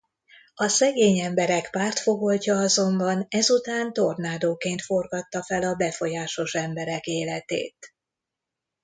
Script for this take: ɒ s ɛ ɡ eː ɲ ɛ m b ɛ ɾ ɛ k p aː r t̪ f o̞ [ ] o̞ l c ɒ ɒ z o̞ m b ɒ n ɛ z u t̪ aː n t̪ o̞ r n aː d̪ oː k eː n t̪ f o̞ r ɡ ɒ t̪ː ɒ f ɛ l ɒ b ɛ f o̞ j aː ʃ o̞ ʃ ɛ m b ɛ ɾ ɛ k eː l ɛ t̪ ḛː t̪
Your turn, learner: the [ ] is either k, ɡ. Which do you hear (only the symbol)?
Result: ɡ